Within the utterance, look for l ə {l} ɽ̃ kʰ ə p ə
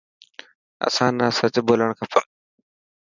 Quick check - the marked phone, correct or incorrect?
incorrect